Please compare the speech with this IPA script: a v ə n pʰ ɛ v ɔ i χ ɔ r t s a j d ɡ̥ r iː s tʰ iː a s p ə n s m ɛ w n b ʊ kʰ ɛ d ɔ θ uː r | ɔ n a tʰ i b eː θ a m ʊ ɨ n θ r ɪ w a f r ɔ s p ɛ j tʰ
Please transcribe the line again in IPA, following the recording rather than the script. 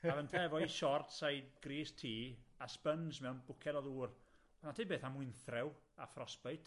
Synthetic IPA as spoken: a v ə n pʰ ɛ v ɔ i ʃ ɔ r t s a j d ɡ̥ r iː s tʰ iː a s p ə n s m ɛ w n b ʊ kʰ ɛ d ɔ ð uː r | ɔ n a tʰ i b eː θ a m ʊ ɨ n θ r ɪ w a f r ɔ s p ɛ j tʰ

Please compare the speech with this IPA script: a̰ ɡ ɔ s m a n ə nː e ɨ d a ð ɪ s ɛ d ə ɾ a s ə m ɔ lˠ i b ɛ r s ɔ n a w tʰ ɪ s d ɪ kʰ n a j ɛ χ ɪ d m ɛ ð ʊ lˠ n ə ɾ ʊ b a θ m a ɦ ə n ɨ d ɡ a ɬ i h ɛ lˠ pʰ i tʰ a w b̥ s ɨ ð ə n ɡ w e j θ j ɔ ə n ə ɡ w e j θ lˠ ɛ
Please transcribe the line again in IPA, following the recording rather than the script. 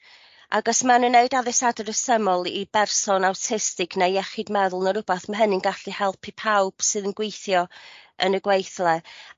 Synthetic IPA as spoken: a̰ ɡ ɔ s m a n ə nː e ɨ d a ð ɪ s a d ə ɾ ə s ə m ɔ lˠ i b ɛ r s ɔ n a w tʰ ɪ s t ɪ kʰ n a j ɛ χ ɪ d m ɛ ð ʊ lˠ n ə ɾ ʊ b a θ m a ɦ ə n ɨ n ɡ a ɬ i h ɛ lˠ pʰ i pʰ a w b̥ s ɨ ð ə n ɡ w e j θ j ɔ ə n ə ɡ w e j θ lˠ ɛ

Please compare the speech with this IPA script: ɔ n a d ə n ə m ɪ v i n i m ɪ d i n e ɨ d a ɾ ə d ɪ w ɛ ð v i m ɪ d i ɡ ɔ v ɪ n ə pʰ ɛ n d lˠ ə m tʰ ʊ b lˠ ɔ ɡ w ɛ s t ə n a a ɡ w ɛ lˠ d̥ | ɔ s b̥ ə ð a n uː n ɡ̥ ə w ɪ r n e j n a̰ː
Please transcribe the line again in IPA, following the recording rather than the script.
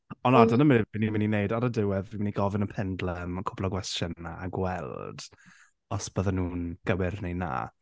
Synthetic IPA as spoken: ɔ n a d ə n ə m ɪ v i n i m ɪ n i n e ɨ d a ɾ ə d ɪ w ɛ ð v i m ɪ n i ɡ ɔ v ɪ n ə pʰ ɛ n d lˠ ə m kʰ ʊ b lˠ ɔ ɡ w ɛ s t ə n a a ɡ w ɛ lˠ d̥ | ɔ s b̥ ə ð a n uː n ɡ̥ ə w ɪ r n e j n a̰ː

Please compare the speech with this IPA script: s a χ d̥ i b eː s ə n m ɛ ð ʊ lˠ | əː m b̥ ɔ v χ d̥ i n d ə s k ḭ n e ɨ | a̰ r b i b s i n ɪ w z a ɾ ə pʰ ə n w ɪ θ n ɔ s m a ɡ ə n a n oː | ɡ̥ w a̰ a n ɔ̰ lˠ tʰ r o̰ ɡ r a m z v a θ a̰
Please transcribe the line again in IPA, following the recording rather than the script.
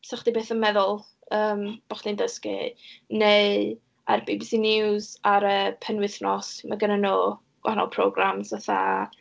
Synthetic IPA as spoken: s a χ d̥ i b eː θ ə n m ɛ ð ʊ lˠ | əː m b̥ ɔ χ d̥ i n d ə s k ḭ n e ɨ | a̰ r b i b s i n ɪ w z a ɾ ə pʰ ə n w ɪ θ n ɔ s m a ɡ ə n a n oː | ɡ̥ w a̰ a n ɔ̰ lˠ pʰ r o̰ ɡ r a m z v a θ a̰

